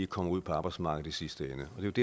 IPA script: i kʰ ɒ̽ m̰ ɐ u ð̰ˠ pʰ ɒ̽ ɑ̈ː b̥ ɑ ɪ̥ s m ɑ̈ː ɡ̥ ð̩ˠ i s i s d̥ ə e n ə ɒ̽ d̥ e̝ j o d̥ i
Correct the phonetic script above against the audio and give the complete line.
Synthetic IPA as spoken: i kʰ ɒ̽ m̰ ɐ u ð̰ˠ pʰ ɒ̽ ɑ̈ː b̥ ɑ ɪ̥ s m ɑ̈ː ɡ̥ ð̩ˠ i s i s d̥ ə e n ə ɒ̽ d̥ e̝ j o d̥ e